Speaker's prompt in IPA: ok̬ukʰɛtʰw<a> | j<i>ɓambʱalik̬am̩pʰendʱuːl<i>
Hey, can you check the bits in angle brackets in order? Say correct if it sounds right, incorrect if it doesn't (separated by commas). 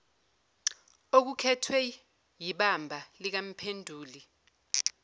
incorrect, correct, correct